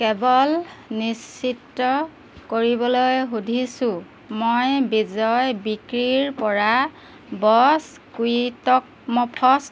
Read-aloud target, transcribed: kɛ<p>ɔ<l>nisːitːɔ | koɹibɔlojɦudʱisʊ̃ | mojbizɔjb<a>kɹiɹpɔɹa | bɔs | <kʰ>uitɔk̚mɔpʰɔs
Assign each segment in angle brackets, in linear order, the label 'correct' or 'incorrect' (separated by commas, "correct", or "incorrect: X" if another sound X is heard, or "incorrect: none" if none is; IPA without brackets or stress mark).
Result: incorrect: b, correct, incorrect: i, incorrect: k